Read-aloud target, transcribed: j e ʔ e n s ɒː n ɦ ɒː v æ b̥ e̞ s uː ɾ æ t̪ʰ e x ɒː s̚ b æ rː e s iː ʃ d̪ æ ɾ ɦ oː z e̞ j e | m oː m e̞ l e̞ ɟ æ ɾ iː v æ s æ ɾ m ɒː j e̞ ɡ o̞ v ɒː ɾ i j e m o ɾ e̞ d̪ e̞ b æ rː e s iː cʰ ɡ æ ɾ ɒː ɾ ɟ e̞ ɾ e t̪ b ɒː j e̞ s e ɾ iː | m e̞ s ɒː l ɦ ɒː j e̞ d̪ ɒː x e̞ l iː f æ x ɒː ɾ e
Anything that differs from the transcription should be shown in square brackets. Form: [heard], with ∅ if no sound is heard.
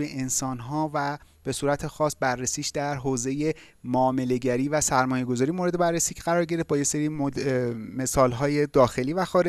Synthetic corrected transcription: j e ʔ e n s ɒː n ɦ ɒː v æ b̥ e̞ s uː ɾ æ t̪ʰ e x ɒː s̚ b æ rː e s iː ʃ d̪ æ ɾ ɦ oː z e̞ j e | m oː m e̞ l e̞ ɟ æ ɾ iː v æ s æ ɾ m ɒː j e̞ ɡ o̞ [z] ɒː ɾ i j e m o ɾ e̞ d̪ e̞ b æ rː e s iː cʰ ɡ æ ɾ ɒː ɾ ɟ e̞ ɾ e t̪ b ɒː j e̞ s e ɾ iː | m e̞ s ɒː l ɦ ɒː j e̞ d̪ ɒː x e̞ l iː [v] æ x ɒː ɾ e